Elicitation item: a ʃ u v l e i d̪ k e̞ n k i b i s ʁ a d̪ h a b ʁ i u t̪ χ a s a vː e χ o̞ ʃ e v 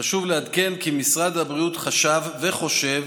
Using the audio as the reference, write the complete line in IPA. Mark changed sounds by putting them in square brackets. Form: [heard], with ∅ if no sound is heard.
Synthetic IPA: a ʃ u v l e [a] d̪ k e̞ n k i [m] i s ʁ a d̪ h a b ʁ i u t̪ χ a [ʃ] a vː e χ o̞ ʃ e v